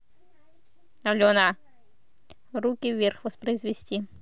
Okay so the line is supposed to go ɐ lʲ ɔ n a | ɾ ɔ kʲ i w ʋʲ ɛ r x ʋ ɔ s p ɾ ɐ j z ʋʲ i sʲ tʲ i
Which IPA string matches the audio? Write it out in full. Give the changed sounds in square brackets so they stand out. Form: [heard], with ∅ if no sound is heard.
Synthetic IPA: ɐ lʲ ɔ n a | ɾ [u] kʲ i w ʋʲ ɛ r x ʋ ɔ s p ɾ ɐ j z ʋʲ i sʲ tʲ i